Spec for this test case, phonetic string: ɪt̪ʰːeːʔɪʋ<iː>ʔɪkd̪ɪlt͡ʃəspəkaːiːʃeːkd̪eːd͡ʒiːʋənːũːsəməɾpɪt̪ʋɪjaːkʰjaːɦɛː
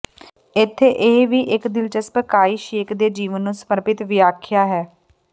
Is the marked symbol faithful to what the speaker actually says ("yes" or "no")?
yes